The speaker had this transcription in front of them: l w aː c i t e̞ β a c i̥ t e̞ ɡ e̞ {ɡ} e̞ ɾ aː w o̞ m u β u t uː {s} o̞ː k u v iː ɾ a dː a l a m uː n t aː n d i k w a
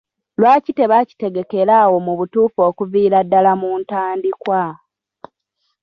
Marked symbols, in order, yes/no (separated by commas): no, no